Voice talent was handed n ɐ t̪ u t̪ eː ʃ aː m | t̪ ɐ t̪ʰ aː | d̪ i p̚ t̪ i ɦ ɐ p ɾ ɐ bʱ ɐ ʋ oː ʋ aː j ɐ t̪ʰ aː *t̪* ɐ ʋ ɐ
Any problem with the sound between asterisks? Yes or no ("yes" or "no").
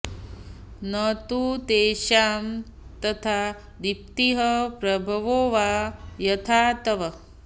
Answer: no